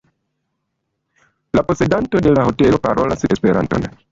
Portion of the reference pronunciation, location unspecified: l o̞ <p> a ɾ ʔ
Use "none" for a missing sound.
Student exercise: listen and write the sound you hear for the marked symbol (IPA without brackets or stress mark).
p